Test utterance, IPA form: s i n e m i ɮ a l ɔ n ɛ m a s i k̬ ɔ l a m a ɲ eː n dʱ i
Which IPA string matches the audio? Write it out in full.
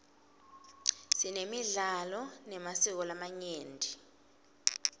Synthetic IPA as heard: s i n e m i ɮ a l ɔ n ɛ m a s i k̬ ɔ l a m a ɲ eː n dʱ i

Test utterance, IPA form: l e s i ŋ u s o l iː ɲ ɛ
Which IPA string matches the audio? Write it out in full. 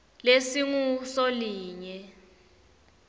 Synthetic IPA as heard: l e s i ŋ u s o l iː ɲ ɛ

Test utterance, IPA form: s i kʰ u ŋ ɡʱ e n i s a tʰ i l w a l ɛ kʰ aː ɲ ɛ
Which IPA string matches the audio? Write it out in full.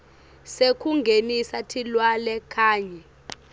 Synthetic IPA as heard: s e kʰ u ŋ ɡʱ e n i s a tʰ i l w a l ɛ kʰ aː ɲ ɛ

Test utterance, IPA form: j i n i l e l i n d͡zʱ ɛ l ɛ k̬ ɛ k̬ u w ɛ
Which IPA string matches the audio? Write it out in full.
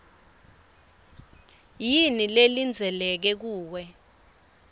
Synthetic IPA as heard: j i n i l e l i n d͡zʱ ɛ l ɛ k̬ ɛ k̬ uː w ɛ

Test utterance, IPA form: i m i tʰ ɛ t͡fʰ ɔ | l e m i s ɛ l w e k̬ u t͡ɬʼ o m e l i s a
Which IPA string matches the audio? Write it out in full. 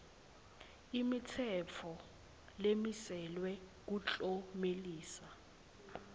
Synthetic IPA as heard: i m i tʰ ɛ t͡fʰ ɔ | l e m i s ɛ l w ɛ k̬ u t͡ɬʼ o m e l iː s a

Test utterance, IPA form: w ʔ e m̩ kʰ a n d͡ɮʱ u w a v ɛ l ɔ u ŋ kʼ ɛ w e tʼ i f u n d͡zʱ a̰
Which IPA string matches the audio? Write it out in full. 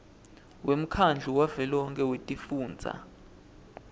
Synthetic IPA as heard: w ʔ e m̩ kʰ a n d͡ɮʱ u w a v ɛ l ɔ ɔ ŋ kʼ ɛ w e tʼ i f uː n d͡zʱ a̰

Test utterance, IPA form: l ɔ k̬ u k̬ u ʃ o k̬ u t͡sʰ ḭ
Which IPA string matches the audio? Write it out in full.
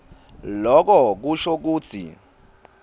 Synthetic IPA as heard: l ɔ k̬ ɔ k̬ u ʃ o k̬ uː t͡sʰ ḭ

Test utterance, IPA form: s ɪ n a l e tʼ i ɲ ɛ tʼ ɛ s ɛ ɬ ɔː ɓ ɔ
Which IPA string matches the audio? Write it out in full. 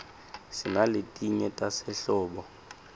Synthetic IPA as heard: s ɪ n a l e tʼ i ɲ ɛ tʼ a s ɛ ɬ ɔː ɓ ɔ

